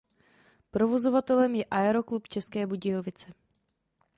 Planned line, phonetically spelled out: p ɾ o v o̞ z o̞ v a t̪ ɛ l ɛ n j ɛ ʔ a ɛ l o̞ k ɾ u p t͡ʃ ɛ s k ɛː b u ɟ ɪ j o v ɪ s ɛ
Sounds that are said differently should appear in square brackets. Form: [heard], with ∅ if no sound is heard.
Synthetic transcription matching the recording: p ɾ o v o̞ z o̞ v a t̪ ɛ l ɛ [m] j ɛ ʔ a ɛ [ɾ] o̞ k [l] u p t͡ʃ ɛ s k ɛː b u ɟ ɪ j o v ɪ [t͡s] ɛ